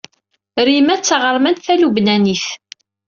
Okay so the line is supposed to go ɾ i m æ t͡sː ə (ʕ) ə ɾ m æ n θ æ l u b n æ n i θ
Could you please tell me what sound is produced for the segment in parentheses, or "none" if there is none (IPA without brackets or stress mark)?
ʁ